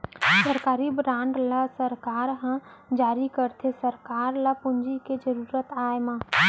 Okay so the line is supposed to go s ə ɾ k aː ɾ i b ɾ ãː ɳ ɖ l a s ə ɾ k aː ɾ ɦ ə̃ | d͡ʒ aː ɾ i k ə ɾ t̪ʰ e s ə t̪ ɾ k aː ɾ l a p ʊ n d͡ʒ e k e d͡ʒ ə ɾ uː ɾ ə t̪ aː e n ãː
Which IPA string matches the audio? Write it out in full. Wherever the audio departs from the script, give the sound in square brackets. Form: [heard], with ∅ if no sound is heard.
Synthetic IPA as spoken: s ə ɾ k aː ɾ i b ɾ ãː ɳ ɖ l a s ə ɾ k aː ɾ ɦ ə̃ | d͡ʒ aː ɾ i k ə ɾ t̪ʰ e s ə [∅] ɾ k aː ɾ l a p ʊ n d͡ʒ [i] k e d͡ʒ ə ɾ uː ɾ ə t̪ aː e [m] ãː